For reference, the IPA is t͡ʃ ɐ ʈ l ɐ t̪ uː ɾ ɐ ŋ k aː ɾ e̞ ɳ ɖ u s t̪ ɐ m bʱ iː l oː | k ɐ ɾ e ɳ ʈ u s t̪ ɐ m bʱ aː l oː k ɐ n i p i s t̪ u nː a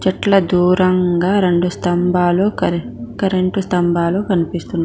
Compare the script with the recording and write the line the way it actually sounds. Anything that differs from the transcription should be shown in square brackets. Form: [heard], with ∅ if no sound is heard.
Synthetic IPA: t͡ʃ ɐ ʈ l ɐ [d̪] uː ɾ ɐ ŋ [ɡ] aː ɾ e̞ ɳ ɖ u s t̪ ɐ m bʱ [aː] l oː | k ɐ ɾ e ɳ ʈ u s t̪ ɐ m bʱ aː l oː k ɐ n i p i s t̪ u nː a